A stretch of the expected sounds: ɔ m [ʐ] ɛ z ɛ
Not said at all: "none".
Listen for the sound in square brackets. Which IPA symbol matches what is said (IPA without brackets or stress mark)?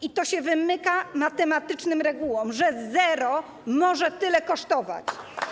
ʐ